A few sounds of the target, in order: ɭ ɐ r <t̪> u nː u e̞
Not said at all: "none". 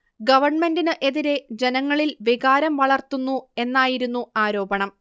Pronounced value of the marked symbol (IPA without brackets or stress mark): t̪